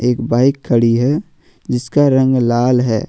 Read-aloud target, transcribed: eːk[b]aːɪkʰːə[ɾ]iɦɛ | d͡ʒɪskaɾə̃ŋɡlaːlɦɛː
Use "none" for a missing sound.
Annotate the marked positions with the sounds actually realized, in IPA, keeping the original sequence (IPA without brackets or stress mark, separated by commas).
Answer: b, ɽ